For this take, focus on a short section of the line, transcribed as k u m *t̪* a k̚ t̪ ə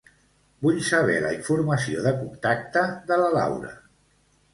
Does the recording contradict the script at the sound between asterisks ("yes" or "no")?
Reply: no